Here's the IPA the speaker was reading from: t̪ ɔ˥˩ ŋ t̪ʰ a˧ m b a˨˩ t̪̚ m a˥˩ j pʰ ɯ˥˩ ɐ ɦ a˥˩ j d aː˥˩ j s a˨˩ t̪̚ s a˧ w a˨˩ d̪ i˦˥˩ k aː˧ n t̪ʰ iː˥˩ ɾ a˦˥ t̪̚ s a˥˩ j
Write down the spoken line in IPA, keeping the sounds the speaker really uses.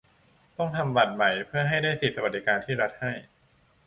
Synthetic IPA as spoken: t̪ ɔ˥˩ ŋ t̪ʰ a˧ m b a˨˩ t̪̚ m a˨˩ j pʰ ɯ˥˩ ɐ ɦ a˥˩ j d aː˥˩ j s i˨˩ t̪̚ s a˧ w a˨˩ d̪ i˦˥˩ k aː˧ n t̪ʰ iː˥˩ ɾ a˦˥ t̪̚ h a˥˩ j